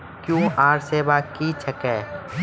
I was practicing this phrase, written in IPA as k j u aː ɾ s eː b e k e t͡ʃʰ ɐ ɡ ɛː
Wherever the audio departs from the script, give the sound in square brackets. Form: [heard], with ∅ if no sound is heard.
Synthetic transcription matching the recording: k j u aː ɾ s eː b [a] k [i] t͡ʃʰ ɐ [k] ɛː